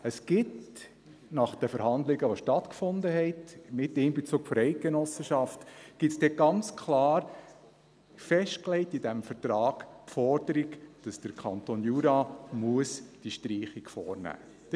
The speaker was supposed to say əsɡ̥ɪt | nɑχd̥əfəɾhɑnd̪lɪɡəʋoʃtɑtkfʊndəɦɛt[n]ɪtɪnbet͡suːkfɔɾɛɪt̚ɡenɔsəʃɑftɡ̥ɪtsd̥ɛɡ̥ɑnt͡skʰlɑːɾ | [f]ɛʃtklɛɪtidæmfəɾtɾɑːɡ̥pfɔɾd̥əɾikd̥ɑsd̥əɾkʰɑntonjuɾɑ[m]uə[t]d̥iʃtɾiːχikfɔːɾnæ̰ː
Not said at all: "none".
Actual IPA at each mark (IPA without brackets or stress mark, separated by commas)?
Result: m, f, m, s